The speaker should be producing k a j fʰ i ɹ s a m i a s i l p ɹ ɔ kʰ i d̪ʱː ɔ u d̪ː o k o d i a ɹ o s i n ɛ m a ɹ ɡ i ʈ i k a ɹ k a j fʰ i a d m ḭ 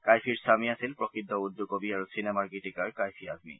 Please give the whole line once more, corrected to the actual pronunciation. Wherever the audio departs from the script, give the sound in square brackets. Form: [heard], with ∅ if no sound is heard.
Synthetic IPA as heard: k a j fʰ i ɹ s a m i a s i l p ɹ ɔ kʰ i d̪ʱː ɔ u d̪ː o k o [b] i a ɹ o s i n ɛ m a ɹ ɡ i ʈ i k a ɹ k a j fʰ i a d m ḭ